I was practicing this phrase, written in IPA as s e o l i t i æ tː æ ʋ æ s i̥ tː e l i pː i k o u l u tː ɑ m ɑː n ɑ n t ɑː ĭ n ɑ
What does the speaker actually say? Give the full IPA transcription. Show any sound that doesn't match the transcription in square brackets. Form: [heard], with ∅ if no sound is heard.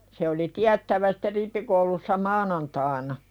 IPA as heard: s e o l i t i æ tː æ ʋ æ s i̥ tː e [r] i pː i k o u l u [sː] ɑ m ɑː n ɑ n t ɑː ĭ n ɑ